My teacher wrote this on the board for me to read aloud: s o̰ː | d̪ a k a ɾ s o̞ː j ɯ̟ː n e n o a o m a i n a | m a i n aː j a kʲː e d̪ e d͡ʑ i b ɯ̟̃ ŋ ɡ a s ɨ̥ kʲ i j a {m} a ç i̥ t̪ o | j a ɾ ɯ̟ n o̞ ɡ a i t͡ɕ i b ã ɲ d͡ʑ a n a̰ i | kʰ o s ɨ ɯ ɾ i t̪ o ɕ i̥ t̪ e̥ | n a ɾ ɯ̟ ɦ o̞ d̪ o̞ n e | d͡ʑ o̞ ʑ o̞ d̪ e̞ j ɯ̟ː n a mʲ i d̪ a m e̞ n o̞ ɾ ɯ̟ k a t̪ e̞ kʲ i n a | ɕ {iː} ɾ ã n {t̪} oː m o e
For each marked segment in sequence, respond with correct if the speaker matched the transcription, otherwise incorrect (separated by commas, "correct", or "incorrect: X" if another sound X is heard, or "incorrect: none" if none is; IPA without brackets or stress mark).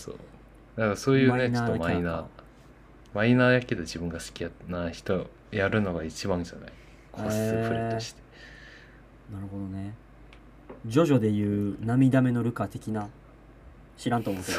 incorrect: n, incorrect: i, correct